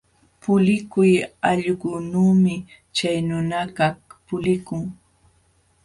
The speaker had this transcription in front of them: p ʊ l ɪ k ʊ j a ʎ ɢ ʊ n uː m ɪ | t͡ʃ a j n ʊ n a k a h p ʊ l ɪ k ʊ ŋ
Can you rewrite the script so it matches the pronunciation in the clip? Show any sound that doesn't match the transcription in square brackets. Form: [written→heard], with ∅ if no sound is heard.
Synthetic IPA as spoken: p ʊ l ɪ k ʊ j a ʎ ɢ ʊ n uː m ɪ | t͡ʃ a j n ʊ n a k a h p ʊ l ɪ k ʊ ŋ